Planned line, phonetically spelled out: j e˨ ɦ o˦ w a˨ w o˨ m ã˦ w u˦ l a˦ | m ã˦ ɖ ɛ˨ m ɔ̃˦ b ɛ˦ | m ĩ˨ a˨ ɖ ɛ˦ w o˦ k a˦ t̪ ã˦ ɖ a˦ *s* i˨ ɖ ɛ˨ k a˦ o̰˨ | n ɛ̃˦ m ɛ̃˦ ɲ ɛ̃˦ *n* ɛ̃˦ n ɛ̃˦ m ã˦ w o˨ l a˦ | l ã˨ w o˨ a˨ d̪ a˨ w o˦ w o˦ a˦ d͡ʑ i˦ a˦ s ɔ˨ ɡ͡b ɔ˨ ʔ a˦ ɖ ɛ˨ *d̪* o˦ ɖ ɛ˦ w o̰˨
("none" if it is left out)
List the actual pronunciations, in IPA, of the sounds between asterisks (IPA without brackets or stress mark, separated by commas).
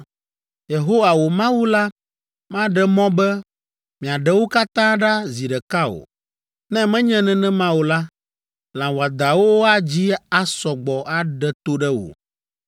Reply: z, n, t̪